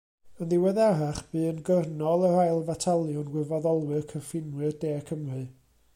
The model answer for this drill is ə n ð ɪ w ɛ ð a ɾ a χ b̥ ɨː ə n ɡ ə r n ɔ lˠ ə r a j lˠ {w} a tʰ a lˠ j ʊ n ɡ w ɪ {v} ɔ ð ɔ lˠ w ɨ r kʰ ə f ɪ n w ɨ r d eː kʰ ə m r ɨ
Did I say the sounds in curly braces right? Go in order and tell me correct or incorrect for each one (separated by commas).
incorrect, correct